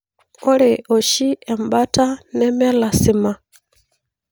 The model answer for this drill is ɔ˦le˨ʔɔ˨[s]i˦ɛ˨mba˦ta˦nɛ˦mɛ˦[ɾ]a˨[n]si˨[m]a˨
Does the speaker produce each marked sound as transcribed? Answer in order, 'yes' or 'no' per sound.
no, no, no, yes

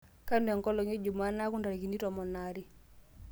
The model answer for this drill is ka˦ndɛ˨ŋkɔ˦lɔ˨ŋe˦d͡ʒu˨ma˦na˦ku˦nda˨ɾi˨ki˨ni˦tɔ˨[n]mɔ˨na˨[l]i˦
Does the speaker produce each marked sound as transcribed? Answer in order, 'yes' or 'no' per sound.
no, no

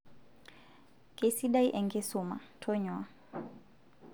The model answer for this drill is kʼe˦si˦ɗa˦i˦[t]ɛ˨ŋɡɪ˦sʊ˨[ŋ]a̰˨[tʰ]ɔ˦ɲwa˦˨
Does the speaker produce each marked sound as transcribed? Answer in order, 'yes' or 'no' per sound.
no, no, yes

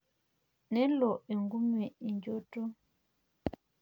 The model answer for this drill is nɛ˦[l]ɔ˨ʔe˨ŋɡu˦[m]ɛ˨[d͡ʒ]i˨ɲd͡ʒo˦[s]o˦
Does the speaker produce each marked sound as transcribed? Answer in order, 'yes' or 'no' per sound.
yes, yes, no, no

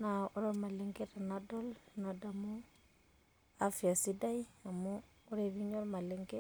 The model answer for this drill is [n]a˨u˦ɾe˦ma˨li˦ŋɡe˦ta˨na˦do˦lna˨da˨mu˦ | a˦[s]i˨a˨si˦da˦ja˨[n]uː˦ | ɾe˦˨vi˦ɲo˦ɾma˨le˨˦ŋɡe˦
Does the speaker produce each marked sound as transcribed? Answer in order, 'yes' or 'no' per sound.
yes, no, no

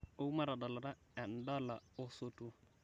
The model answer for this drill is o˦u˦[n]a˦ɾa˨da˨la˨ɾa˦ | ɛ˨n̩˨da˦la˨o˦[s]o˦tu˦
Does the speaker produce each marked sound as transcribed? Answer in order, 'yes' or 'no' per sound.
no, yes

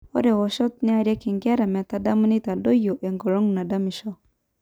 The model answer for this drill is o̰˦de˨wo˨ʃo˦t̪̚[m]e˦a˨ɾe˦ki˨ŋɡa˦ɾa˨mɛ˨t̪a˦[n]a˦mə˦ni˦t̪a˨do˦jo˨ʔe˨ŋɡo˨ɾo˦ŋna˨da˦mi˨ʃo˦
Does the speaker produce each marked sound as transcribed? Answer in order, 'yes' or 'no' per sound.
no, no

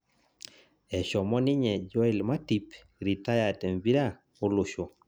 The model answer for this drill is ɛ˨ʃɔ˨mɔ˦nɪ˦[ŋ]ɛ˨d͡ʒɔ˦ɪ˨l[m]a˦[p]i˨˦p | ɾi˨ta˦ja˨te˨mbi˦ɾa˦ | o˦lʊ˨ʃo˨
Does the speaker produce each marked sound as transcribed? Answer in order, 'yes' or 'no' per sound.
no, yes, no

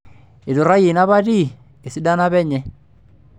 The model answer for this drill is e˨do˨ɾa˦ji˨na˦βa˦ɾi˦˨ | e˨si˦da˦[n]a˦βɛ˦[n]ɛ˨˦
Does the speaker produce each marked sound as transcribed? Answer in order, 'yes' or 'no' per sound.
yes, no

